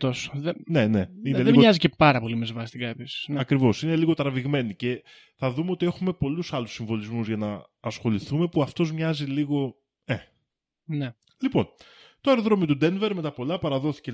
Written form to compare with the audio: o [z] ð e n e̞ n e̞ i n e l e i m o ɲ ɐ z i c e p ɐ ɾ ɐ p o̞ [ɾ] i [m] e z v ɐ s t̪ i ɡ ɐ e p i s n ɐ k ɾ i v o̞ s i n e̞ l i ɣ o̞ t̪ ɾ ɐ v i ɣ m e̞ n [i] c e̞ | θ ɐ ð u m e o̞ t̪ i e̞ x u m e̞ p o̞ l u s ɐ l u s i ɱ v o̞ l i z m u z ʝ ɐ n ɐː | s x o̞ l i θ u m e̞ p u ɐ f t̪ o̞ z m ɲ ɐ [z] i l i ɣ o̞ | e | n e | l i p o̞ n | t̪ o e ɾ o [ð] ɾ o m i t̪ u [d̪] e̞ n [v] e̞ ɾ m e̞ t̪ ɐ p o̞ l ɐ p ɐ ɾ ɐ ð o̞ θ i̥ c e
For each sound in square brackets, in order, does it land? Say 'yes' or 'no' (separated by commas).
no, no, yes, yes, yes, yes, yes, yes